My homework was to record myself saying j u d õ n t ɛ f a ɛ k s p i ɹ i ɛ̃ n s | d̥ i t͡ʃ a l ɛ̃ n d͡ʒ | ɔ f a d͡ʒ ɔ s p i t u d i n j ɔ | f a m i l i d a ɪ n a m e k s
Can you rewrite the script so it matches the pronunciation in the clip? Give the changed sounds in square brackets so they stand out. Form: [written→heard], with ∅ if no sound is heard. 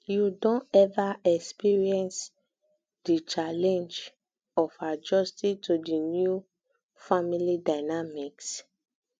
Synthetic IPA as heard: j u d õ n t ɛ [f→v] a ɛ k s p i ɹ i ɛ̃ n s | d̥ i t͡ʃ a l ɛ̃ n d͡ʒ | ɔ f a d͡ʒ ɔ s [p→t] i t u d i n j [ɔ→u] | f a m i l i d a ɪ n a m [e→i] k s